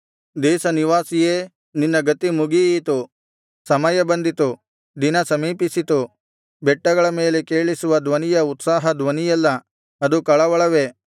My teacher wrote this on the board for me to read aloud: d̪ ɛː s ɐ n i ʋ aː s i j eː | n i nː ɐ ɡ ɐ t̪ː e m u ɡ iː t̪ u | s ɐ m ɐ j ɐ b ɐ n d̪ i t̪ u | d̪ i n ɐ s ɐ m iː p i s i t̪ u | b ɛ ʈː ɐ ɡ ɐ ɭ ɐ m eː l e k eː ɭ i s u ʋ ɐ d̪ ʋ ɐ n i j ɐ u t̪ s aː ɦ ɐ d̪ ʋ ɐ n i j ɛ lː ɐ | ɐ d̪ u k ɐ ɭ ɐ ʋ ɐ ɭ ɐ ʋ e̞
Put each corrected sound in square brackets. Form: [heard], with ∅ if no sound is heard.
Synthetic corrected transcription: d̪ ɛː s ɐ n i ʋ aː s i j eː | n i nː ɐ ɡ ɐ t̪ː [i] m u ɡ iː t̪ u | s ɐ m ɐ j ɐ b ɐ n d̪ i t̪ u | d̪ i n ɐ s ɐ m iː p i s i t̪ u | b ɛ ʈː ɐ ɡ ɐ ɭ ɐ m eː l e k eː ɭ i s u ʋ ɐ d̪ ʋ ɐ n i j ɐ u t̪ s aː ɦ ɐ d̪ ʋ ɐ n i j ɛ lː ɐ | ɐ d̪ u k ɐ ɭ ɐ ʋ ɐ ɭ ɐ ʋ e̞